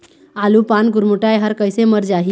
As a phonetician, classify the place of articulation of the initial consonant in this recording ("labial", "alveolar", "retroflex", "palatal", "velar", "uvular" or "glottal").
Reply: alveolar